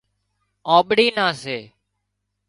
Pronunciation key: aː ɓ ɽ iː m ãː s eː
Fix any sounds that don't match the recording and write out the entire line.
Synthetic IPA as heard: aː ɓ ɽ iː n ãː s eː